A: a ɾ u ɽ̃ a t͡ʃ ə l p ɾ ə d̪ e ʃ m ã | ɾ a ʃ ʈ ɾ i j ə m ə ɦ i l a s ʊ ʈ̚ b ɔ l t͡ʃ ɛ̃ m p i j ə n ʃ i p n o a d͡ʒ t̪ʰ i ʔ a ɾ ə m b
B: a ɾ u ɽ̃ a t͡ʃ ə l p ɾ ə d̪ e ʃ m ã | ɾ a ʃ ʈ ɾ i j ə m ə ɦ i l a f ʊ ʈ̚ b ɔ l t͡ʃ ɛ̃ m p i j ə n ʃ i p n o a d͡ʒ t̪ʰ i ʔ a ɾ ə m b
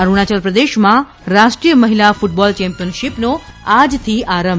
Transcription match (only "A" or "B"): B